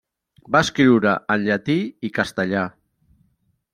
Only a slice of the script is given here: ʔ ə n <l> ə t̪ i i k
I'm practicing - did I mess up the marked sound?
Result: yes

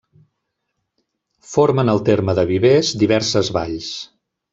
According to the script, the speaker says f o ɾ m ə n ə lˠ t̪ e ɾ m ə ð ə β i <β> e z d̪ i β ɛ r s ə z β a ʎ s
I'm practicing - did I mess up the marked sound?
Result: no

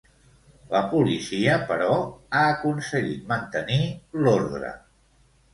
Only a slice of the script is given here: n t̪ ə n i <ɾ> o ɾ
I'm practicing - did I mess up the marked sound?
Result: yes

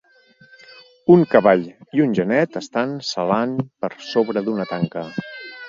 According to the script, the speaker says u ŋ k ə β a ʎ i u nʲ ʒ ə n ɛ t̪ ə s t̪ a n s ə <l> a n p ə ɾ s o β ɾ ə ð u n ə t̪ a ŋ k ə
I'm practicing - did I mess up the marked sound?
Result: no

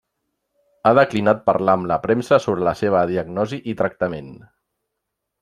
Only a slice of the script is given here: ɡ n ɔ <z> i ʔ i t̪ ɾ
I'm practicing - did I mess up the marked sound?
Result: no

